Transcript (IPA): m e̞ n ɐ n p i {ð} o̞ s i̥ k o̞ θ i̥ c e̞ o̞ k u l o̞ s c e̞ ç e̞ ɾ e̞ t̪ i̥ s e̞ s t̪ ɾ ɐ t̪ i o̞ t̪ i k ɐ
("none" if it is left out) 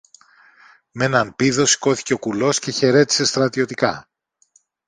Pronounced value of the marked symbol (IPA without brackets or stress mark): ð